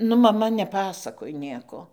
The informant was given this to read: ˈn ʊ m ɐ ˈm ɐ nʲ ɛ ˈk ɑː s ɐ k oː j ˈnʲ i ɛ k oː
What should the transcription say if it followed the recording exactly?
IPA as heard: ˈn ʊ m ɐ ˈm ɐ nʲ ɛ ˈp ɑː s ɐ k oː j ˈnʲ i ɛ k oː